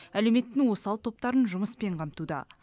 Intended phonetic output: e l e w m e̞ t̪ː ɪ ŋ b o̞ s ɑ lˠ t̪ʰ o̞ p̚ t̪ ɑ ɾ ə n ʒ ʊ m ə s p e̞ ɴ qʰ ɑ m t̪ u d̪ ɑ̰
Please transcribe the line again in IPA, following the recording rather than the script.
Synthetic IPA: æ l e w m e̞ t̪ː ɪ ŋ w o̞ s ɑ lˠ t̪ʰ o̞ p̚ t̪ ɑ ɾ ə n ʒ ʊ m ə s p e̞ ɴ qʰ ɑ m t̪ u d̪ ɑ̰